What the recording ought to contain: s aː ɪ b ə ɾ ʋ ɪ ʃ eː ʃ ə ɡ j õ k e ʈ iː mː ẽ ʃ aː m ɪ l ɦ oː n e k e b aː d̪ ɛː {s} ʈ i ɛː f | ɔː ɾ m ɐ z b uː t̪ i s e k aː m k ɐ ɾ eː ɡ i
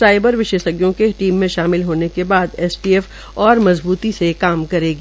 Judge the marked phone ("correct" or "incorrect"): correct